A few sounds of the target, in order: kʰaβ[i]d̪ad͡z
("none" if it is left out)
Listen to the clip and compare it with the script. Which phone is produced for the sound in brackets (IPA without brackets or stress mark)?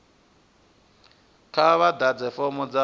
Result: a